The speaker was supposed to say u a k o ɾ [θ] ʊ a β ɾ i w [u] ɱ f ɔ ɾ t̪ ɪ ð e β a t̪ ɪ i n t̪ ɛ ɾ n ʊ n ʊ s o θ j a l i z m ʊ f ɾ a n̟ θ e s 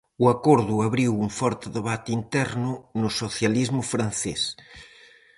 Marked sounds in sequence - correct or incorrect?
incorrect: ð, correct

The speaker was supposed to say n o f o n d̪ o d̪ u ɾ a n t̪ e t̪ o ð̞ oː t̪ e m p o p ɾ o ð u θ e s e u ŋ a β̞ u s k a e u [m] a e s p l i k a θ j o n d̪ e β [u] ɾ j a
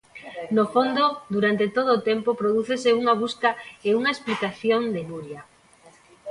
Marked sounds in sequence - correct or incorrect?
incorrect: ŋ, correct

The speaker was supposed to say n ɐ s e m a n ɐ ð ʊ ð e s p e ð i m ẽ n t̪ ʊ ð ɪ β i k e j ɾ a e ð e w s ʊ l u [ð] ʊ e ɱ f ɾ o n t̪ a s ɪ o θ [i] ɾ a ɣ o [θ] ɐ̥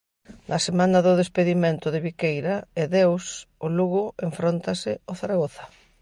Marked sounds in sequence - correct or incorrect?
incorrect: ɣ, incorrect: a, correct

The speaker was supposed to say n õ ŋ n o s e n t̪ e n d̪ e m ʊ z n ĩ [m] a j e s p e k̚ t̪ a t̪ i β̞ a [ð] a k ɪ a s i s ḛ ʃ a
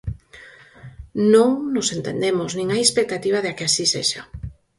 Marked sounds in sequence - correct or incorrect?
incorrect: ŋ, correct

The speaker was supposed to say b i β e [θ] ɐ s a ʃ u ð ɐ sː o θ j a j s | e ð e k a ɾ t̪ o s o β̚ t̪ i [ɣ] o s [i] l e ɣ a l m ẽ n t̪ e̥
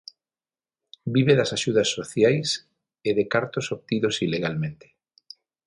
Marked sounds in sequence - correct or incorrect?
incorrect: ð, incorrect: ð, correct

